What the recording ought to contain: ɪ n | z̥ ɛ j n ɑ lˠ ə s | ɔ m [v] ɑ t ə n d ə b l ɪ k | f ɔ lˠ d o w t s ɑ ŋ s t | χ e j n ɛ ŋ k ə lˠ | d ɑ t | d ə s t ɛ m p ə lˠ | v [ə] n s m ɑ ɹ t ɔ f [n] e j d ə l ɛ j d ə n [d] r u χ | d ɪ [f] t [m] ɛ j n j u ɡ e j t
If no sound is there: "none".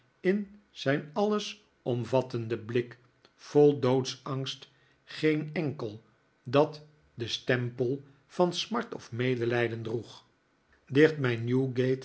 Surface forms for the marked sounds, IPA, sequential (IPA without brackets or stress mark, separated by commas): v, ɑ, m, d, χ, m